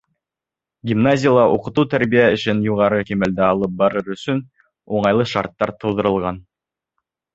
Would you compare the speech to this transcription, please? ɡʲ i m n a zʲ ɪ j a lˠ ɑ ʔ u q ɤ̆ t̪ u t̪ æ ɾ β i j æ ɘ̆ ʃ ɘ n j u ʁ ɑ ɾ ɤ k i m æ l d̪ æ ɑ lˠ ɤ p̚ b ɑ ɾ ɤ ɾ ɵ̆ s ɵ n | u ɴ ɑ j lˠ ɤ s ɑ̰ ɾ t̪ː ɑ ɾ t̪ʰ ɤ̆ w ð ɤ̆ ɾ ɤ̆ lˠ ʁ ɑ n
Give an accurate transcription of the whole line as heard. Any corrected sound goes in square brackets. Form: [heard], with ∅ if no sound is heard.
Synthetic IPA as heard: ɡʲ i m n a zʲ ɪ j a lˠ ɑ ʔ u q ɤ̆ t̪ u t̪ æ ɾ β i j æ ɘ̆ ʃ ɘ n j u ʁ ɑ ɾ ɤ k i m æ l d̪ æ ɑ lˠ ɤ p̚ b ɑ ɾ ɤ ɾ ɵ̆ s ɵ n | u ɴ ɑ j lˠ ɤ [ʃ] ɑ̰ ɾ t̪ː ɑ ɾ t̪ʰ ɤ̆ w ð ɤ̆ ɾ ɤ̆ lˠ ʁ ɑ n